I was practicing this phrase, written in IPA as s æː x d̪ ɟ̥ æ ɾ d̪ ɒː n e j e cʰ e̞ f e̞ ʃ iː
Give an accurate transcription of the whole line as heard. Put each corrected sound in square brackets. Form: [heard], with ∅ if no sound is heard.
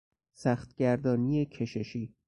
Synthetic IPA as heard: s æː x [t̪] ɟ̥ æ ɾ d̪ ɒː n [i] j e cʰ e̞ [ʃ] e̞ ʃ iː